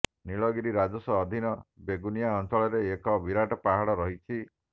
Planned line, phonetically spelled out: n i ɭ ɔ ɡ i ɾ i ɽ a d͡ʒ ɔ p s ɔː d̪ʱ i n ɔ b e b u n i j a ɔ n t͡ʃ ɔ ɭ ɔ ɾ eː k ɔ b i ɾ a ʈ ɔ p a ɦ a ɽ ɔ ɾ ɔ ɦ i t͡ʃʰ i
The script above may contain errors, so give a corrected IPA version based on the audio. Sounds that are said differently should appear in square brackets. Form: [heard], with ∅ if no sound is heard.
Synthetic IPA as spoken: n i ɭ ɔ ɡ i ɾ i [ɾ] a d͡ʒ ɔ [∅] s ɔː d̪ʱ i n ɔ b e [ɡ] u n i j a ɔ n t͡ʃ ɔ ɭ ɔ ɾ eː k ɔ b i ɾ a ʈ ɔ p a ɦ a ɽ ɔ ɾ ɔ ɦ i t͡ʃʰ i